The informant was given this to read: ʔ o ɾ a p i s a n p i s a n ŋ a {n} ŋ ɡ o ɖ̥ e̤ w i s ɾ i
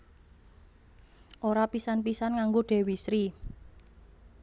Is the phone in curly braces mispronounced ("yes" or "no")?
yes